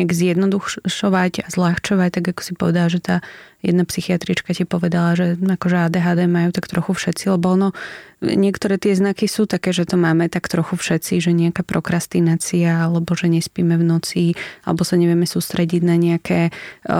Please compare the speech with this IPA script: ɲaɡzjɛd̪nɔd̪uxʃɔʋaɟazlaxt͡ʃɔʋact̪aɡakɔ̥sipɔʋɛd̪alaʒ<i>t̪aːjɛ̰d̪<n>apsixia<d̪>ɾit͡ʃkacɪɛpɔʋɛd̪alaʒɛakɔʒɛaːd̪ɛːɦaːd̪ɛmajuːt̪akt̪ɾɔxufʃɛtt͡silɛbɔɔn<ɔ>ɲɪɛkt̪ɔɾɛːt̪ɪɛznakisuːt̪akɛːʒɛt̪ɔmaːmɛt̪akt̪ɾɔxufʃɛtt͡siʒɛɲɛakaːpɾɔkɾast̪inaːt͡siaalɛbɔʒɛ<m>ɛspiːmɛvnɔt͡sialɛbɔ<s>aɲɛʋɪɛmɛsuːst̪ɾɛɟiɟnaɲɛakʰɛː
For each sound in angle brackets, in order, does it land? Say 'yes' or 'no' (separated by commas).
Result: no, yes, no, yes, no, yes